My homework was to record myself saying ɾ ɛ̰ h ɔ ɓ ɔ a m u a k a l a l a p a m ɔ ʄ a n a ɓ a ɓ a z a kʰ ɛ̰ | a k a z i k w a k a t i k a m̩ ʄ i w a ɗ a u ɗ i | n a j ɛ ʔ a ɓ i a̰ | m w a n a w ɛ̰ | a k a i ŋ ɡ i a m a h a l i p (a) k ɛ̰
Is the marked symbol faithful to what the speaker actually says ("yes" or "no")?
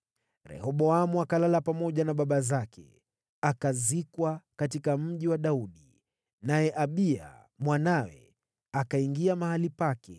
yes